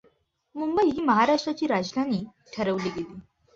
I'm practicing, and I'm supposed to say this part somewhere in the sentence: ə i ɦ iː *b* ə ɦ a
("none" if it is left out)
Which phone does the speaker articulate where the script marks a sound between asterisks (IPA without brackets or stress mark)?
m